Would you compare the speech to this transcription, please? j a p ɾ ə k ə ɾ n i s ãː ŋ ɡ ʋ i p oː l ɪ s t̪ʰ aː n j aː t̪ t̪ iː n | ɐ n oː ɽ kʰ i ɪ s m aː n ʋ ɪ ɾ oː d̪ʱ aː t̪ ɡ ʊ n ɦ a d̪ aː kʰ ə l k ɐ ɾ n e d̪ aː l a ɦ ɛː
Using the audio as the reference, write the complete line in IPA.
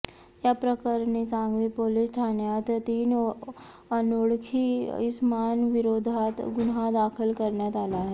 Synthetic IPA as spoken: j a p ɾ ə k ə ɾ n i s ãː ŋ ɡ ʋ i p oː l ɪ s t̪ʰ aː n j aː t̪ t̪ iː n | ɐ n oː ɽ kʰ i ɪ s m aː n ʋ ɪ ɾ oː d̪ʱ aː t̪ ɡ ʊ n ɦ a d̪ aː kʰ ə l k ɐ ɾ n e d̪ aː l a ɦ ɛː